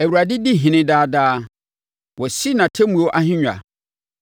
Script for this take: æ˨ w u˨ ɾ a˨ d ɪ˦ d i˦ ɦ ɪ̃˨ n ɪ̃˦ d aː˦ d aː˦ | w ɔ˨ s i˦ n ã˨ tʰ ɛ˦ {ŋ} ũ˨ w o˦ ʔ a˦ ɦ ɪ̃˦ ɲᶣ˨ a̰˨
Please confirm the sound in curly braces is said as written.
no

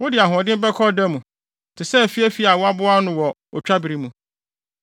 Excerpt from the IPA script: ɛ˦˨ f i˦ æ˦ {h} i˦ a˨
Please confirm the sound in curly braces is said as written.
no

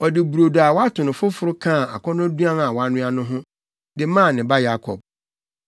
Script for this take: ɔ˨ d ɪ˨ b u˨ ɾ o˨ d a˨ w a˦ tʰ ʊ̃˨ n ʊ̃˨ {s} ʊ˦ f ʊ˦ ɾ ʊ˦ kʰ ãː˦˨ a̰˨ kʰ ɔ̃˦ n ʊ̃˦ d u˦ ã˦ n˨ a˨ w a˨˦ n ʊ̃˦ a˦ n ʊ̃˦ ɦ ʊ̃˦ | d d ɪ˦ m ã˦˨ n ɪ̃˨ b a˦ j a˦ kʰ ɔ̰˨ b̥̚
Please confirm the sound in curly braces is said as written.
no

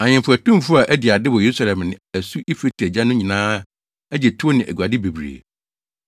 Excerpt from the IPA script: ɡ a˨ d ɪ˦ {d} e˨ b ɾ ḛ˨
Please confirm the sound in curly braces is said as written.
no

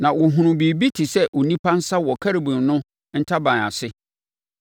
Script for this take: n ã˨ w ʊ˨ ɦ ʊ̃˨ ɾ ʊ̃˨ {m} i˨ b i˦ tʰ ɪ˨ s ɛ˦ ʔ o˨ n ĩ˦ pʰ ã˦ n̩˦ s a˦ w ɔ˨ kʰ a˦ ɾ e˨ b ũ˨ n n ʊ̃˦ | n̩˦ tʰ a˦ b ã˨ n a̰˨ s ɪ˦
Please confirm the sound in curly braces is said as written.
no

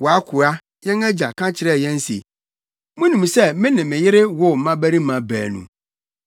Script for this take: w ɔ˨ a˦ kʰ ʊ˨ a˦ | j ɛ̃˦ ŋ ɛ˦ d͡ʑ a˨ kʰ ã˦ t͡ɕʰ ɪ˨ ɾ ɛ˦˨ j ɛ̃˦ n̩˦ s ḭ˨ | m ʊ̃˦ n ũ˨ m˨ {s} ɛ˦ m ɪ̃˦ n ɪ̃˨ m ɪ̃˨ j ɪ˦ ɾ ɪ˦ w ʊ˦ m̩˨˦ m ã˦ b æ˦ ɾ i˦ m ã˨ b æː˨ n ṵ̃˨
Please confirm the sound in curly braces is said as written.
yes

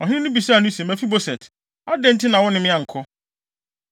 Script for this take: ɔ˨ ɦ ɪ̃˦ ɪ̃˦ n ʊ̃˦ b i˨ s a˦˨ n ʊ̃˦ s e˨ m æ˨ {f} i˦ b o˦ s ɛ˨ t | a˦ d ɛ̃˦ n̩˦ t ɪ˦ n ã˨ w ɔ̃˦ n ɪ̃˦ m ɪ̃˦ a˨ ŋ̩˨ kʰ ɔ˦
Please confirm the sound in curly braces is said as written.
yes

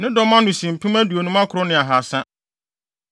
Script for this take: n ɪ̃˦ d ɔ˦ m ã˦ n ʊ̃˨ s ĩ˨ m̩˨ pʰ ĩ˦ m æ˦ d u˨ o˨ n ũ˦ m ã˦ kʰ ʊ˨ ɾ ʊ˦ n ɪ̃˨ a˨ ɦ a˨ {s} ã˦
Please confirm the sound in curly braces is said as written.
yes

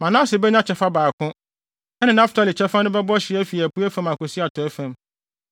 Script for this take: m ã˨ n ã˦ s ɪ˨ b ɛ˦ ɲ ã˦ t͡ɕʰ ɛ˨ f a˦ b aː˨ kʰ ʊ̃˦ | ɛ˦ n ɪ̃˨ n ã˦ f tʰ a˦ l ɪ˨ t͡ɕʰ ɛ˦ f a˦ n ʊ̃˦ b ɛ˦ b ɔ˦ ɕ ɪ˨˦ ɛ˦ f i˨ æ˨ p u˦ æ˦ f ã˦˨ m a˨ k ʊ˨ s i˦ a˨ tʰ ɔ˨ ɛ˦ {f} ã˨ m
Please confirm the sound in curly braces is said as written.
yes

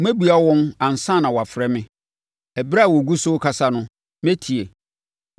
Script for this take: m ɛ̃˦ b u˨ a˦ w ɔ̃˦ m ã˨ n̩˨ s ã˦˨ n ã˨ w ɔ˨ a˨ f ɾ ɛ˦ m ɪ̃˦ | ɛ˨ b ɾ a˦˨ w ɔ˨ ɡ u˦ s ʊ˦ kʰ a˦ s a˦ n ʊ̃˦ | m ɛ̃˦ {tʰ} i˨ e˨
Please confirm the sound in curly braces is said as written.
yes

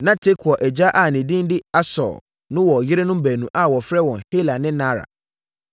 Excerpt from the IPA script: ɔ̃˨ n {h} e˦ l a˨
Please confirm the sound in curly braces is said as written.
yes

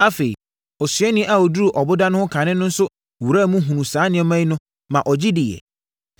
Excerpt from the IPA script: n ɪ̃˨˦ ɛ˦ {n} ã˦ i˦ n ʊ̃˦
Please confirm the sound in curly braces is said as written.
no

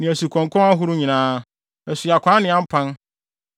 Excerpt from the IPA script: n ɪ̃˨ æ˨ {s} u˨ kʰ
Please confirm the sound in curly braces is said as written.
yes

